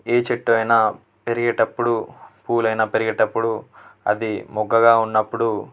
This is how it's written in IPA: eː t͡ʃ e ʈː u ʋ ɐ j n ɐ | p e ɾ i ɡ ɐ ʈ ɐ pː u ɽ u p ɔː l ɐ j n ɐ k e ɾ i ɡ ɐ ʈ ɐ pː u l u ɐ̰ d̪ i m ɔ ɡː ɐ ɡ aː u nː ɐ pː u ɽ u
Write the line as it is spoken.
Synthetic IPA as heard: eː t͡ʃ e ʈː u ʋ ɐ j n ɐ | p e ɾ i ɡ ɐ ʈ ɐ pː u ɽ u p uː l ɐ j n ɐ p e ɾ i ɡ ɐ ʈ ɐ pː u ɽ u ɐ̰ d̪ i m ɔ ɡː ɐ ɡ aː u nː ɐ pː u ɽ u